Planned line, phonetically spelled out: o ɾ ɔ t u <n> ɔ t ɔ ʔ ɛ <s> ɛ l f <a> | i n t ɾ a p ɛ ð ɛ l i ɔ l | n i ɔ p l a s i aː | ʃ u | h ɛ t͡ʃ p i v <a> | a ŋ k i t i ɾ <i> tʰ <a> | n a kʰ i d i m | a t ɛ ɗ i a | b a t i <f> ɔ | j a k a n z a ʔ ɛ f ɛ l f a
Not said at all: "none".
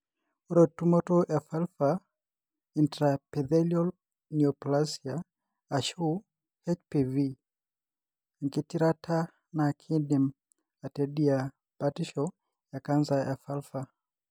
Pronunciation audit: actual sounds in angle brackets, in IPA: m, f, a, i, a, a, ʃ

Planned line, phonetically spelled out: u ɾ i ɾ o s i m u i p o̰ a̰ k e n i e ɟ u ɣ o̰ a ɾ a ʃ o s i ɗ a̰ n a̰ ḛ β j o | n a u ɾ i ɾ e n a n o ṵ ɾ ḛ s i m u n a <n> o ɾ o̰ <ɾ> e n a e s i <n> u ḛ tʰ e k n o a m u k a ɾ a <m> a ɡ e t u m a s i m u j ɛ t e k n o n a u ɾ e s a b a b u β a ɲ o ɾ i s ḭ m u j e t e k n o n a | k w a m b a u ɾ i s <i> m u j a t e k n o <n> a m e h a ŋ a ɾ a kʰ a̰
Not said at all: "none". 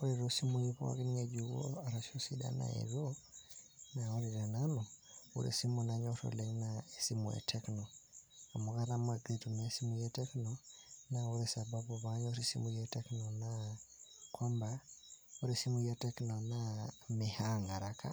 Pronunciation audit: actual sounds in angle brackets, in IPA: ɲ, l, m, m, i, n

